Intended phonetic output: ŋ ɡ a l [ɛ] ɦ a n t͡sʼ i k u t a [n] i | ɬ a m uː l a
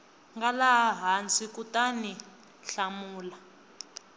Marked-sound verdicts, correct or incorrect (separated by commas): incorrect, correct